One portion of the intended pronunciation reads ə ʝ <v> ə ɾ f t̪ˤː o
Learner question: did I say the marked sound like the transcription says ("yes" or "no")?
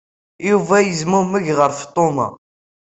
no